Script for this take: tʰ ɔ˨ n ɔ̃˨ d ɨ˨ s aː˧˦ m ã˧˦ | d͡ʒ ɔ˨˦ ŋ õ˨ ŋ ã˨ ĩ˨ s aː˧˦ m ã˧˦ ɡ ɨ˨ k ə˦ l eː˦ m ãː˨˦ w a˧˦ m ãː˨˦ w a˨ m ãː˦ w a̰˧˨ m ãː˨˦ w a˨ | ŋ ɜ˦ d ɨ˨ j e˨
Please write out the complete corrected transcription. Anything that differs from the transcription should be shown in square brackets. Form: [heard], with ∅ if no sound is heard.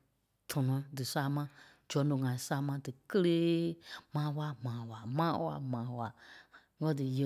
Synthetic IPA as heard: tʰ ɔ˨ n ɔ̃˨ d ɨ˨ s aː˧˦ m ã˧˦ | d͡ʒ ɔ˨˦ [n] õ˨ ŋ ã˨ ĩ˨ s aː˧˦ m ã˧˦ [d] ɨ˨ k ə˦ l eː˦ m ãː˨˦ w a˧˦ m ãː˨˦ w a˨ m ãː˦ w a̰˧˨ m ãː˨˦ w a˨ | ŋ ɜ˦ d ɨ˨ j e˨